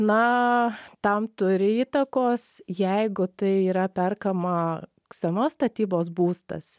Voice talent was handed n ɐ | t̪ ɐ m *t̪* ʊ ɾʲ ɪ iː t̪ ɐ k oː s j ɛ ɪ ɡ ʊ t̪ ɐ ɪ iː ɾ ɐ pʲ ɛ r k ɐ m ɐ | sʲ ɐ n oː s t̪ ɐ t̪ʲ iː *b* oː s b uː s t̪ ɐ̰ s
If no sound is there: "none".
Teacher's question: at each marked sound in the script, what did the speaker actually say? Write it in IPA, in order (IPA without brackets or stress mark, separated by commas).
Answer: t̪, b